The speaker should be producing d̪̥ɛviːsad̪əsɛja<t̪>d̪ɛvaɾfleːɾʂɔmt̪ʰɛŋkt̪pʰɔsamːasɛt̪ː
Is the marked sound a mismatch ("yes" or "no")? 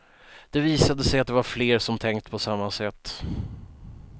no